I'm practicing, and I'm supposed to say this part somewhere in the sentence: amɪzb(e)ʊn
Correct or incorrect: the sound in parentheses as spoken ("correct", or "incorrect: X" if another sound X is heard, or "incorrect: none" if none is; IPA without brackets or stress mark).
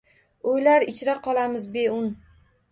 correct